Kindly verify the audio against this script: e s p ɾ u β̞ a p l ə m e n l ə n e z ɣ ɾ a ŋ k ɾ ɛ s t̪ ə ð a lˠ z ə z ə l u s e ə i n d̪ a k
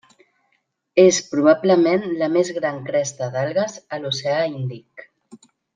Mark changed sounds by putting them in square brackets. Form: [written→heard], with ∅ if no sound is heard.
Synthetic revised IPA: e s p ɾ u β̞ a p l ə m e n l ə [n→m] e z ɣ ɾ a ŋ k ɾ ɛ s t̪ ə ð a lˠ [z→ɣ] ə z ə l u s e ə i n d̪ [a→i] k